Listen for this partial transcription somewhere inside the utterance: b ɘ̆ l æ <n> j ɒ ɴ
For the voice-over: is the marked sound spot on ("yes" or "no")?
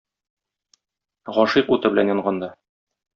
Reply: yes